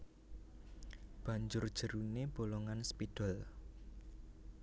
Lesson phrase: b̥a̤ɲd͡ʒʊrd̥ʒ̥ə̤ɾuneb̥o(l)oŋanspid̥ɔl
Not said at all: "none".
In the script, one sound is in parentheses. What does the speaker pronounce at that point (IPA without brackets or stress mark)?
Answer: l